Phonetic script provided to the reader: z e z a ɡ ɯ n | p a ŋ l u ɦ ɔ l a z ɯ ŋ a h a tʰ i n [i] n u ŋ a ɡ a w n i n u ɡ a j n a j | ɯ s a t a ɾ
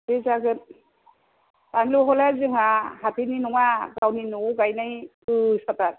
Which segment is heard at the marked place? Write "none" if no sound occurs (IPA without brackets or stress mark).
i